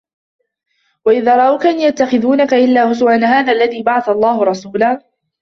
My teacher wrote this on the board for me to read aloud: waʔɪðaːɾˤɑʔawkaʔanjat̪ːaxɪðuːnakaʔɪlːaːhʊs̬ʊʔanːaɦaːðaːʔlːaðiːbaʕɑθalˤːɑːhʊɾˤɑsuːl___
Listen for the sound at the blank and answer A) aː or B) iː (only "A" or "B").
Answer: A